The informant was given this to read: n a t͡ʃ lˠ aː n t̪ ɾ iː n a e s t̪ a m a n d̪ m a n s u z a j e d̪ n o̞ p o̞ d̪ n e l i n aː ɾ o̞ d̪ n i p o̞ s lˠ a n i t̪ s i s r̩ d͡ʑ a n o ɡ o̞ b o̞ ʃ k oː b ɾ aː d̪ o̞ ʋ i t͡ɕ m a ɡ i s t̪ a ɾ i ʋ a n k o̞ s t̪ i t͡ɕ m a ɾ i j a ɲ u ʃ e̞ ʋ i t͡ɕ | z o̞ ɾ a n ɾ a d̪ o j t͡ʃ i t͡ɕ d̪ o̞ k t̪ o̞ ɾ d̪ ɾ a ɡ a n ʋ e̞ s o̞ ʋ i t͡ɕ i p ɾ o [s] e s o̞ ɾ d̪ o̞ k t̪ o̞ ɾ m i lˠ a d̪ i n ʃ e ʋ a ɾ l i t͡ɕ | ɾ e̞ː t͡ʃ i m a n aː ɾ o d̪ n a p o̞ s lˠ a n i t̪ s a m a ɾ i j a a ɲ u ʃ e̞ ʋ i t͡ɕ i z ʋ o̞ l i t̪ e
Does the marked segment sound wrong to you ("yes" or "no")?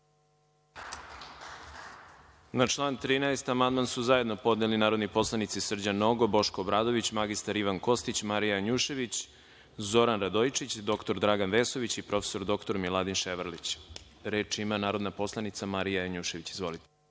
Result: yes